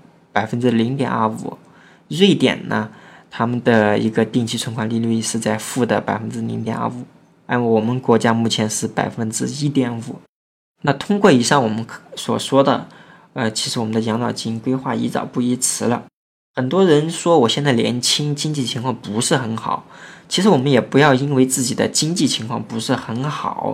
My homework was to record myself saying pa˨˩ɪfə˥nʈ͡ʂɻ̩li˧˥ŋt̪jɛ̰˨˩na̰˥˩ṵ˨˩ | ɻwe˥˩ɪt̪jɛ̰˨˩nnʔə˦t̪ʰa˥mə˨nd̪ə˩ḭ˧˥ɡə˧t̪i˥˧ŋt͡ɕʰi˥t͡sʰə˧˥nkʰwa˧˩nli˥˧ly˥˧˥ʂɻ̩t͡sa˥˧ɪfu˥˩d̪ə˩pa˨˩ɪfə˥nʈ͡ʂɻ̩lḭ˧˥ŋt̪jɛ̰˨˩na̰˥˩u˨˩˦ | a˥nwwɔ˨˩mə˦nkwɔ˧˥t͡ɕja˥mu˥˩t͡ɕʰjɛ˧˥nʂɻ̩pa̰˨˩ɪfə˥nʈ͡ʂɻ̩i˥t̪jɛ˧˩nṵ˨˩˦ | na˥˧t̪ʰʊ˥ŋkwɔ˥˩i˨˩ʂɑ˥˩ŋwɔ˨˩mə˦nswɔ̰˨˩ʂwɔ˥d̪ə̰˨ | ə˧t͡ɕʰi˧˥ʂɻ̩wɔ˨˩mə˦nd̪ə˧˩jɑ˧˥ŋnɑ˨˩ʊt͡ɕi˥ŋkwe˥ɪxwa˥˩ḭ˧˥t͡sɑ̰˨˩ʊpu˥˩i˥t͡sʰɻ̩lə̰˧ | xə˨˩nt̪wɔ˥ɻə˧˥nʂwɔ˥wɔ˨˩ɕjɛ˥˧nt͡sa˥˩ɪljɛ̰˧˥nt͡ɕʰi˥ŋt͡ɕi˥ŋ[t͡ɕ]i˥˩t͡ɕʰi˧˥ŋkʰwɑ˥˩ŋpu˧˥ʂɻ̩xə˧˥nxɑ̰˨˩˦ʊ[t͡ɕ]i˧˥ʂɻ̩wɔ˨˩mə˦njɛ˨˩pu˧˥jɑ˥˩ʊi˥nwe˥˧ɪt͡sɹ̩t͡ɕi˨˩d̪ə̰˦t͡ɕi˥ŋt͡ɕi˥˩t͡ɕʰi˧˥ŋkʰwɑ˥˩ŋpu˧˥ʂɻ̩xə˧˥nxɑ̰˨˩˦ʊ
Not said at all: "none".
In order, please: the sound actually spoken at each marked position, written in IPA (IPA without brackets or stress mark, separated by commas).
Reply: t͡ɕ, t͡ɕʰ